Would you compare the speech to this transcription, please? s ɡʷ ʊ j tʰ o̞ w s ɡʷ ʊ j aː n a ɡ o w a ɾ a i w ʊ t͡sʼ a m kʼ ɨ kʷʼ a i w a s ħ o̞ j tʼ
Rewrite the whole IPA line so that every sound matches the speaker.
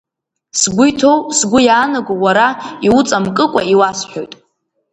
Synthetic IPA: s ɡʷ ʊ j tʰ o̞ w s ɡʷ ʊ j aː n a ɡ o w a ɾ a i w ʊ t͡sʼ a m kʼ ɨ kʷʼ a i w a s ħ o̞ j tʼ